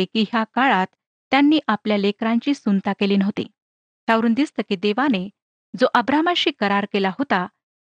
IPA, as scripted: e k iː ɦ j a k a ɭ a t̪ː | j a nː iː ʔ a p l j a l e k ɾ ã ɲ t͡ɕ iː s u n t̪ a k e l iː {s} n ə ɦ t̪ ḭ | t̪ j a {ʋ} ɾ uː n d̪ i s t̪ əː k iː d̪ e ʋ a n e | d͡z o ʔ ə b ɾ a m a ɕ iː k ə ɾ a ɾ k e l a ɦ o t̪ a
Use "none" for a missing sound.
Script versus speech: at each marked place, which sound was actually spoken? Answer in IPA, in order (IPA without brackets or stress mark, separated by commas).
none, ʋ